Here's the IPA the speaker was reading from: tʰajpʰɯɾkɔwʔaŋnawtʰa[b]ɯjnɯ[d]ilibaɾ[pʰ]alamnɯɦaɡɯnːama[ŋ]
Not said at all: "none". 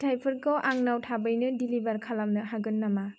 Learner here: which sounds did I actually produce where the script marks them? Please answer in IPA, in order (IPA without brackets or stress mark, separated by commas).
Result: b, d, kʰ, none